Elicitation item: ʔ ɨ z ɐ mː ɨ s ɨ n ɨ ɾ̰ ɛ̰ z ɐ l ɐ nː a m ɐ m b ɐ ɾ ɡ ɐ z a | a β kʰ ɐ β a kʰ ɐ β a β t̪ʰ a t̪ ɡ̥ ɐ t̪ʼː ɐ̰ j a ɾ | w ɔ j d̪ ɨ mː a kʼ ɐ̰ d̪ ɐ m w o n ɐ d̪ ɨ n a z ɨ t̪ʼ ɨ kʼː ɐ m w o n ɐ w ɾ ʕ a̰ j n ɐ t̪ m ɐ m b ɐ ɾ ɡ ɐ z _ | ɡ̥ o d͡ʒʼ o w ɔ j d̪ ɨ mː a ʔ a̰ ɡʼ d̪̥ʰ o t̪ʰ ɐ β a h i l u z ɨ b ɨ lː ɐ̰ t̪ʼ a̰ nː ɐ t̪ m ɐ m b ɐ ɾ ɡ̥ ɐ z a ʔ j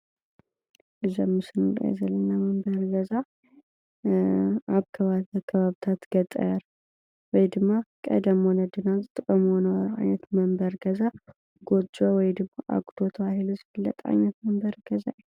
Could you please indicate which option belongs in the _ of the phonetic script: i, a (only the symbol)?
a